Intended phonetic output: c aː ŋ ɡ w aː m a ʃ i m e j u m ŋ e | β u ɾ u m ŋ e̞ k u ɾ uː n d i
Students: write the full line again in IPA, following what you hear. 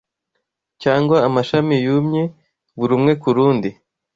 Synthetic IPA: c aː ŋ ɡ w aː m a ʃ a m i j u m ɲ e | β u ɾ u m ŋ e̞ k u ɾ uː n d i